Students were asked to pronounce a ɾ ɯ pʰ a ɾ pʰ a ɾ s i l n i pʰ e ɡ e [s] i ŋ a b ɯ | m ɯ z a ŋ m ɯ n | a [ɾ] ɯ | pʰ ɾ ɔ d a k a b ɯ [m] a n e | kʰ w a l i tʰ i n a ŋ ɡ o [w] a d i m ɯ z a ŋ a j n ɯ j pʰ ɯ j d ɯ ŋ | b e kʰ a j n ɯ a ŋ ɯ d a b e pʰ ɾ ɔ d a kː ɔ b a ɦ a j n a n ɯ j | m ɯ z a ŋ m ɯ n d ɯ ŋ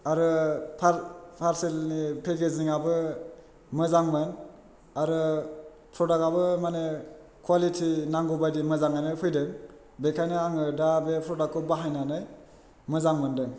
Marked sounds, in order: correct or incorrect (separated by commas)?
incorrect, correct, correct, incorrect